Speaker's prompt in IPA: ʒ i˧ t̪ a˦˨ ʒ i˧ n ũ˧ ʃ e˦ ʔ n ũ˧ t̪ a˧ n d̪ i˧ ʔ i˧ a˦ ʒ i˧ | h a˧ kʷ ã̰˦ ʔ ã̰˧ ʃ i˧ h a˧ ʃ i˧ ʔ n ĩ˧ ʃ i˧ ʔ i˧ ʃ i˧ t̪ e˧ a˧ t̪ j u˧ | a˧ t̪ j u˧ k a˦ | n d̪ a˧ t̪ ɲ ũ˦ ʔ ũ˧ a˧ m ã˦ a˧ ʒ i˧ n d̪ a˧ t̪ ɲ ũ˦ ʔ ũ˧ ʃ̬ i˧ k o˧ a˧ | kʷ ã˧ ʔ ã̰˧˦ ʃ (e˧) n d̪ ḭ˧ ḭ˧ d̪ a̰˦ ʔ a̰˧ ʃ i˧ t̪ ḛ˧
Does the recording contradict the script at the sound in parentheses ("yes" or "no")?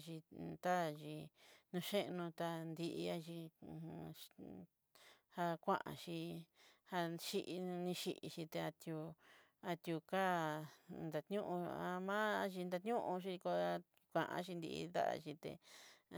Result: yes